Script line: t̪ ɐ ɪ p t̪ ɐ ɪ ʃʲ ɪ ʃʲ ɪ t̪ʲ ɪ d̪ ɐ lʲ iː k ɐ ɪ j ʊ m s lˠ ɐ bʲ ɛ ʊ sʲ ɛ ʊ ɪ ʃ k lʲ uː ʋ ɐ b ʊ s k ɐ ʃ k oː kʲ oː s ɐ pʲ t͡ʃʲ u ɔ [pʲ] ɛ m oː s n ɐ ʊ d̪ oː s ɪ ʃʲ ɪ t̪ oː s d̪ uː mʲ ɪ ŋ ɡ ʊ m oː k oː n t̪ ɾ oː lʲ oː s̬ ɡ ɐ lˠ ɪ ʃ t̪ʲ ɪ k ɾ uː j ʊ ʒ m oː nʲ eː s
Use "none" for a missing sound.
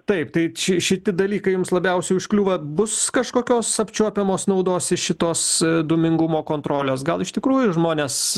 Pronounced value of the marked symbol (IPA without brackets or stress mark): pʲ